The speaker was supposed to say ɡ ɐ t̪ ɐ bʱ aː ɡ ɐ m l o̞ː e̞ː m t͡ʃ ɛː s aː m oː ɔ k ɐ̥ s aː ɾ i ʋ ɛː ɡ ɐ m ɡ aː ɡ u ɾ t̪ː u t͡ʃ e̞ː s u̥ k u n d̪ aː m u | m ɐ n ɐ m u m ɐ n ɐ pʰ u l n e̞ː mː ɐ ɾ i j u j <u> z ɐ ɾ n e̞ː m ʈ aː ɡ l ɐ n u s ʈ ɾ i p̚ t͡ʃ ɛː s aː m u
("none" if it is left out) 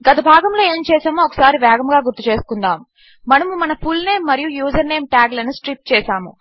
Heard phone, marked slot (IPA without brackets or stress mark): uː